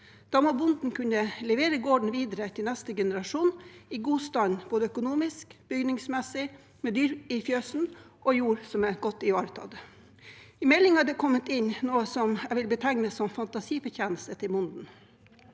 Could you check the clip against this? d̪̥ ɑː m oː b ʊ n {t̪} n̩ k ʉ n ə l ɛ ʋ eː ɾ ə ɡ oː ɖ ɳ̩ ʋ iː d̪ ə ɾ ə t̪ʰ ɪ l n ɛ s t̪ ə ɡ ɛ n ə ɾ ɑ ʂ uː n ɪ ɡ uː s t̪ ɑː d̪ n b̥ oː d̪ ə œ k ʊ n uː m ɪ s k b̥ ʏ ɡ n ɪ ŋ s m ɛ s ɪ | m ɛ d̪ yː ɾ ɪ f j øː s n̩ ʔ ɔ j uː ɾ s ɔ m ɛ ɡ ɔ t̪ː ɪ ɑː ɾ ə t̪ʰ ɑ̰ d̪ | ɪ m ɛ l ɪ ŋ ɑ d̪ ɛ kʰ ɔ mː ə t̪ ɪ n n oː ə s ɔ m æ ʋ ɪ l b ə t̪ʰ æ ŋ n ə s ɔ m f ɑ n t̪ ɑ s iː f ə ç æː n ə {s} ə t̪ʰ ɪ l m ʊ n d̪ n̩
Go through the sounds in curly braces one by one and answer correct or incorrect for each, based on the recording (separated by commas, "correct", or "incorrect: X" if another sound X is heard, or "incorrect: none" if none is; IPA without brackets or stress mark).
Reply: incorrect: d̪, correct